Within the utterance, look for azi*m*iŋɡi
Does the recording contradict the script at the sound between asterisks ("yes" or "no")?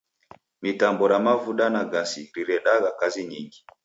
yes